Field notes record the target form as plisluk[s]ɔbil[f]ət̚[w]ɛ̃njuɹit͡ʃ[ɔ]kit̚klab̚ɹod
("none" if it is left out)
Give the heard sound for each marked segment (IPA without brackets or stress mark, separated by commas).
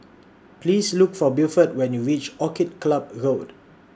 f, f, w, ɔ